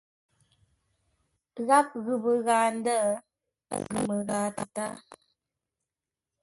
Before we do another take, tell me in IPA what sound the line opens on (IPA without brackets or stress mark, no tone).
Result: ɣ